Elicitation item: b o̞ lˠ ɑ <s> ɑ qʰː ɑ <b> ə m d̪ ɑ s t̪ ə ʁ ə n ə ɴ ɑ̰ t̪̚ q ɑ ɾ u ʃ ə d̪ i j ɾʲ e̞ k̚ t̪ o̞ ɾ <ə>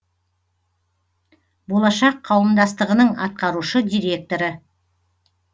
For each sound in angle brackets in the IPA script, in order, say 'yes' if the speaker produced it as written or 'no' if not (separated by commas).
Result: no, no, yes